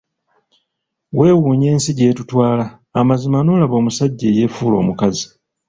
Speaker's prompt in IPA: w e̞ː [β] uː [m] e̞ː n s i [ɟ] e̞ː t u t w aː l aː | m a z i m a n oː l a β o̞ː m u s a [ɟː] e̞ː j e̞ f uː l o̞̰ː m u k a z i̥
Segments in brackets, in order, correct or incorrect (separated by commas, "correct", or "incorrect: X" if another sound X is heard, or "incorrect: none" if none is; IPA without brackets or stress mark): incorrect: w, incorrect: ɲ, correct, correct